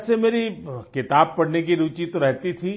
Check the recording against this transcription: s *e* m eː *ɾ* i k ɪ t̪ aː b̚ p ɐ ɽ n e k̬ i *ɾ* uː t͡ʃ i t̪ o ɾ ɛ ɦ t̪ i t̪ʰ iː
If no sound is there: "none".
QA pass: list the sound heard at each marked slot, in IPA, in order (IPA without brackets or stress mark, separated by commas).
e, ɾ, ɾ